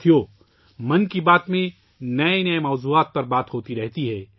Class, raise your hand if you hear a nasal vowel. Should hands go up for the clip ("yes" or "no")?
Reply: yes